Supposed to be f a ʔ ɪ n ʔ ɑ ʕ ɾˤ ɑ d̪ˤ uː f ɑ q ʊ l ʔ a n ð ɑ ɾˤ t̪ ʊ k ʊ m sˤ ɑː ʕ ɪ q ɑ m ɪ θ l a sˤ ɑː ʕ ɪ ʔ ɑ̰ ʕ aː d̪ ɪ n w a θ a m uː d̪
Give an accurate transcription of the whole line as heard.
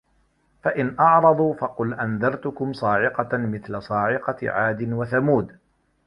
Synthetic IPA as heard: f a ʔ ɪ n ʔ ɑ ʕ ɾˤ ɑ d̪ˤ uː f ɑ q ʊ l ʔ a n ð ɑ ɾˤ t̪ ʊ k ʊ m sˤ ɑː ʕ ɪ q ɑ m ɪ θ l a sˤ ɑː ʕ ɪ q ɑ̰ ʕ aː d̪ ɪ n w a θ a m uː d̪